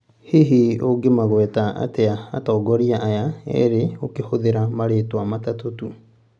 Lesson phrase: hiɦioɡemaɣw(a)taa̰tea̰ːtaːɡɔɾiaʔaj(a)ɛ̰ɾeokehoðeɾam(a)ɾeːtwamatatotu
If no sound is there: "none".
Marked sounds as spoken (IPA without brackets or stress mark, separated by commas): ɛ, a, a